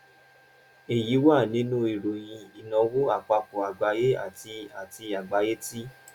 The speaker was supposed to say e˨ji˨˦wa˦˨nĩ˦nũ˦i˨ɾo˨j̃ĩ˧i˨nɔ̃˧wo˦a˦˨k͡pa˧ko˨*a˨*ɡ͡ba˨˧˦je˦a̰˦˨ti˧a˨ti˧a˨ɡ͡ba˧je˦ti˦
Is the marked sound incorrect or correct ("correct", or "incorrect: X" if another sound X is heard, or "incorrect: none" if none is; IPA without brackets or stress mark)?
correct